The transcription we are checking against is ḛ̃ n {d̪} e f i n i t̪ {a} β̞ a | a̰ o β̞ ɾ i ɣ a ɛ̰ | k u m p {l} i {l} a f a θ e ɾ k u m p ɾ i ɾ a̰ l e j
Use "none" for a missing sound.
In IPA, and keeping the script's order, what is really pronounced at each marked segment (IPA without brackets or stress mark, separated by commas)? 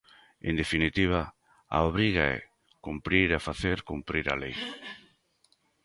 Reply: d̪, i, ɾ, ɾ